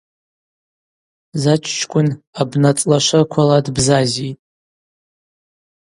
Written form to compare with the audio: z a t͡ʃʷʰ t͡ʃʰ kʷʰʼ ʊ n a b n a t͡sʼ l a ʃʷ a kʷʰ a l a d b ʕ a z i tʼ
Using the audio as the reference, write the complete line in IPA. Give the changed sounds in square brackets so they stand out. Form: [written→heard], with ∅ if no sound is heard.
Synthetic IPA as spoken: z a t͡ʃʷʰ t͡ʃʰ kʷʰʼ ʊ n a b n a t͡sʼ l a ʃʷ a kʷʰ a l a d b [ʕ→z] a z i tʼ